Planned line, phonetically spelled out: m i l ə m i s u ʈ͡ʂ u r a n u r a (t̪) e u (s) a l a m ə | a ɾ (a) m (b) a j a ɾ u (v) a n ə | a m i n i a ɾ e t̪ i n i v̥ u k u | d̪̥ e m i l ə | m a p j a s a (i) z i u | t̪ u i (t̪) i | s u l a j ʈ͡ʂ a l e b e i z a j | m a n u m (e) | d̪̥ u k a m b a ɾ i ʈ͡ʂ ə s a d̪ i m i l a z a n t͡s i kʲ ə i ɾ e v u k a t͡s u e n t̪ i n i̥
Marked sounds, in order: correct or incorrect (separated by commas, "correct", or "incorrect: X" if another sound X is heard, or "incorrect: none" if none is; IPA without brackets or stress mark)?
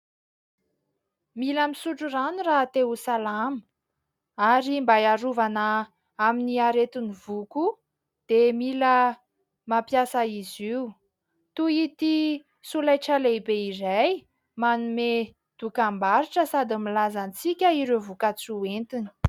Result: correct, correct, incorrect: i, correct, correct, correct, correct, correct